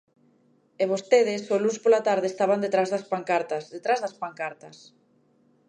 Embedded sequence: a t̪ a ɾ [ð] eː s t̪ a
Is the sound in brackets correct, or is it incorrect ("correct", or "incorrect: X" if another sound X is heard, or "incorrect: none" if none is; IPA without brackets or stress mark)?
correct